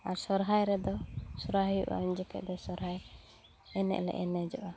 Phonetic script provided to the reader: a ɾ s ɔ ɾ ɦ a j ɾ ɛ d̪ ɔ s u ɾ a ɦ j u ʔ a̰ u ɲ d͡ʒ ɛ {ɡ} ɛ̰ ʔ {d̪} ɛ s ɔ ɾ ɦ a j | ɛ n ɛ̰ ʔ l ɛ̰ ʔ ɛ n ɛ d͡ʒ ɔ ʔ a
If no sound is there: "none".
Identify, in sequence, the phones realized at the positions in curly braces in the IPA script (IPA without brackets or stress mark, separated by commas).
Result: k, d̪